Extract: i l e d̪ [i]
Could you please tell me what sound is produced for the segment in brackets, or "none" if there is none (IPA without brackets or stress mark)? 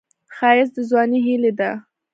a